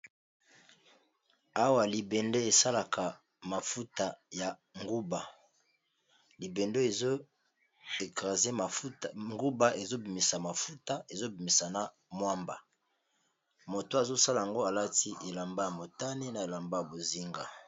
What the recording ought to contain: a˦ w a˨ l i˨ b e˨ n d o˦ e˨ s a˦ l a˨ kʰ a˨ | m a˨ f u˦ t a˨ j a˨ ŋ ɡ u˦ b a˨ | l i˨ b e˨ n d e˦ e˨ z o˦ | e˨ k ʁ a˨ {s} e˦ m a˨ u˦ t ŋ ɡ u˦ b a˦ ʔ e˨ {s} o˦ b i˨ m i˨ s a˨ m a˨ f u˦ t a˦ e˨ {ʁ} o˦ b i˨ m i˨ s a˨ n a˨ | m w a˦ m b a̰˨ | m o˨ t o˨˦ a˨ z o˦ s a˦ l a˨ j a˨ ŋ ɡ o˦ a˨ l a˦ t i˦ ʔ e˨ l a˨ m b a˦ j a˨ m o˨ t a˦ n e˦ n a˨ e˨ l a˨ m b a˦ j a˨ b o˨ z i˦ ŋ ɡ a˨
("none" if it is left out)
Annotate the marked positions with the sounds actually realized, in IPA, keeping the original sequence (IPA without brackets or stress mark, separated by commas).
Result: z, z, z